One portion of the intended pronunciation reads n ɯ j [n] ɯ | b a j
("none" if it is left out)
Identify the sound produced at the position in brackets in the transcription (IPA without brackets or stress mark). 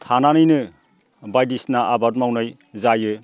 n